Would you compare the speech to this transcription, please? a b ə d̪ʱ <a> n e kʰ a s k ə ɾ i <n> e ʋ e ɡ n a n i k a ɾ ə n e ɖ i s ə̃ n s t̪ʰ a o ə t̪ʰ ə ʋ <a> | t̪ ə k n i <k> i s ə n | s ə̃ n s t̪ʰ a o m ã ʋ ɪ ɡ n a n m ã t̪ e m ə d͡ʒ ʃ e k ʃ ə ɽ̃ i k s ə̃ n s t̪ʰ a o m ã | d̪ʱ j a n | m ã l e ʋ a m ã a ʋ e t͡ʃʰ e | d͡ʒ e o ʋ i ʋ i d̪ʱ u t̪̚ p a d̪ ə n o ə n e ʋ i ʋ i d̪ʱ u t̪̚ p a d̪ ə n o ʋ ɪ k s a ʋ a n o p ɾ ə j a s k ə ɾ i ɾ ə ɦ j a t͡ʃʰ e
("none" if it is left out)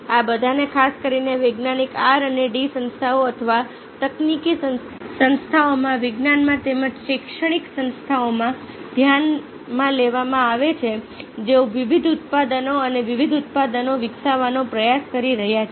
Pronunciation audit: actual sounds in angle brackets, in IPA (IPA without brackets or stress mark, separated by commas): a, n, a, k